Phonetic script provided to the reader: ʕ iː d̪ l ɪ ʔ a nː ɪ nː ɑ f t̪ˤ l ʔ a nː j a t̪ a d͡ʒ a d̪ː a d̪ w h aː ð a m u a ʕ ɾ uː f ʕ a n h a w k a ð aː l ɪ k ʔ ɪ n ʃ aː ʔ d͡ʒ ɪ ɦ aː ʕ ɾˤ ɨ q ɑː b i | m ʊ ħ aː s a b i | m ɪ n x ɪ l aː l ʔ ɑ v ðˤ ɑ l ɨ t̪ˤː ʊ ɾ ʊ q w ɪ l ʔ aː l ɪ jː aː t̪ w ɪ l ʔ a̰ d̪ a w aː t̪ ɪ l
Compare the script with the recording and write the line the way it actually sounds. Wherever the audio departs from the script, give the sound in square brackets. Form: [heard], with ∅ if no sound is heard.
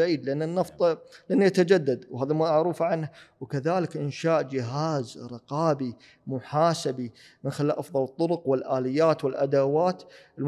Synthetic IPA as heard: ʕ iː d̪ l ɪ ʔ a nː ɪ nː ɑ f t̪ˤ l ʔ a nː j a t̪ a d͡ʒ a d̪ː a d̪ w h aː ð a m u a ʕ ɾ uː f ʕ a n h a w k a ð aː l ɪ k ʔ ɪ n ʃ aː ʔ d͡ʒ ɪ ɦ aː [z] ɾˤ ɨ q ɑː b i | m ʊ ħ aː s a b i | m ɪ n x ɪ l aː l ʔ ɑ [f] ðˤ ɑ l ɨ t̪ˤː ʊ ɾ ʊ q w ɪ l ʔ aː l ɪ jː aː t̪ w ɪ l ʔ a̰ d̪ a w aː t̪ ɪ l